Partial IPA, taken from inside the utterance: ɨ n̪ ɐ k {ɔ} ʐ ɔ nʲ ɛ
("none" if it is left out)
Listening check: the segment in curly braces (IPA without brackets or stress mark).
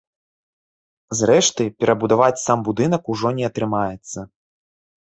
u